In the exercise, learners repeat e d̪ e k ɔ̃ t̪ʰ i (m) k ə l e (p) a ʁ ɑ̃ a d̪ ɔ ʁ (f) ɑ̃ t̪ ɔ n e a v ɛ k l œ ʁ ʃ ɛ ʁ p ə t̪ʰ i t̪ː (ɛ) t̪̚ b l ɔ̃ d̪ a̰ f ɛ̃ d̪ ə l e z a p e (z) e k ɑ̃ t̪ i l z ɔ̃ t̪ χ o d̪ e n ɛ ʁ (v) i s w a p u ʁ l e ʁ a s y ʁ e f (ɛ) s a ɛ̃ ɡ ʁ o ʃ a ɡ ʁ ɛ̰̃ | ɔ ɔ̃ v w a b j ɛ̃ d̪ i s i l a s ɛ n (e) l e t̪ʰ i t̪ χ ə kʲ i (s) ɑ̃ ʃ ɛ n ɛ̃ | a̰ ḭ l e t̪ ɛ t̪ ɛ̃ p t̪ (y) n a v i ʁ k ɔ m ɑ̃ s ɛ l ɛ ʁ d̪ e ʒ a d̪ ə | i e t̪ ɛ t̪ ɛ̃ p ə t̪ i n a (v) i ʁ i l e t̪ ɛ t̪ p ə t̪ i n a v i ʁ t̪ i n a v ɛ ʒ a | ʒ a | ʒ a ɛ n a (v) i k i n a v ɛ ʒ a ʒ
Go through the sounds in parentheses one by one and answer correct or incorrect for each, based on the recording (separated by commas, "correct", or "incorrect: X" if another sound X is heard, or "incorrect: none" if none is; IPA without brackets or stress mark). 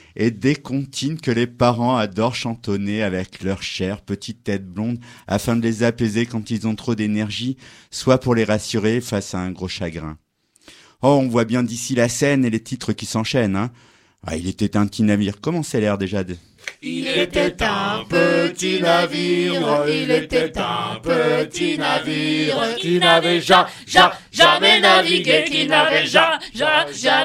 incorrect: n, correct, incorrect: ʃ, correct, correct, incorrect: ʒ, incorrect: a, correct, correct, incorrect: i, correct, correct